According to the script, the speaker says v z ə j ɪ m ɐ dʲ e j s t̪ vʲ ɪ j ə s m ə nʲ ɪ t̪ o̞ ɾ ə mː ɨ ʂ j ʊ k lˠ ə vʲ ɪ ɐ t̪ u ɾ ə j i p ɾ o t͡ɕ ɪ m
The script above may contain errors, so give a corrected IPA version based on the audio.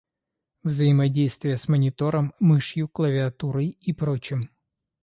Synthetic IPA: v z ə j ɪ m ɐ dʲ e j s t̪ vʲ ɪ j ə s m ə nʲ ɪ t̪ o̞ ɾ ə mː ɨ ʂ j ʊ k lˠ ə vʲ ɪ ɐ t̪ u ɾ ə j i p ɾ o t͡ɕ ɪ m